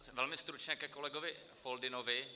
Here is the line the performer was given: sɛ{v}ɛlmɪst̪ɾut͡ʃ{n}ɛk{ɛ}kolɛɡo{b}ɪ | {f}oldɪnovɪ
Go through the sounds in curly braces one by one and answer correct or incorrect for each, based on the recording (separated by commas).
correct, incorrect, correct, incorrect, correct